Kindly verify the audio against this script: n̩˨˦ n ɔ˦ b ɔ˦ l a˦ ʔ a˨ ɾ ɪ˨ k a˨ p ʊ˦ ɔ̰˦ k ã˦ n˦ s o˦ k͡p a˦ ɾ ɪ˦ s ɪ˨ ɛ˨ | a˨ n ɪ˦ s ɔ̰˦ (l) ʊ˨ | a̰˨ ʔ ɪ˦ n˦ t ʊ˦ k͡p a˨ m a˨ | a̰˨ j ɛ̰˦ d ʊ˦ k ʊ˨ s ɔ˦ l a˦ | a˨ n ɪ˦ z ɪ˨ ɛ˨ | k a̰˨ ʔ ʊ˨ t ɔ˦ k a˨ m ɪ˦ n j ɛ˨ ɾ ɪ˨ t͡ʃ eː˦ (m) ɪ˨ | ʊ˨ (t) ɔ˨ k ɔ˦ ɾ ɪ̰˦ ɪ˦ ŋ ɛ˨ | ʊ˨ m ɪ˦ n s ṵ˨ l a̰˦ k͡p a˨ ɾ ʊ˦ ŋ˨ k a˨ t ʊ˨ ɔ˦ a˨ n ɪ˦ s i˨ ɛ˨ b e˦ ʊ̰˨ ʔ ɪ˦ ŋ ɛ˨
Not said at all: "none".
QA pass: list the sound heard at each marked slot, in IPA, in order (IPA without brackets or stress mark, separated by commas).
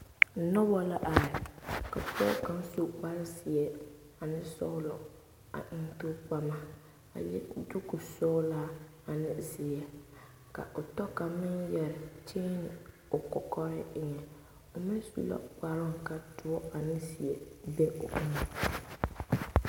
l, n, k